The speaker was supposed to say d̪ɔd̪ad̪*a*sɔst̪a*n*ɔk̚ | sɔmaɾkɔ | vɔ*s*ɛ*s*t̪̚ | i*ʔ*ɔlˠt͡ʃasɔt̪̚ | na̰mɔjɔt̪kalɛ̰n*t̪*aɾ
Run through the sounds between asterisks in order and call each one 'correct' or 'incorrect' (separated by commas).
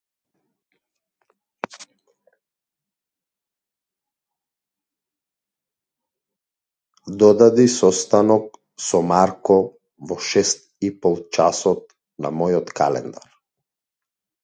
incorrect, correct, incorrect, correct, incorrect, incorrect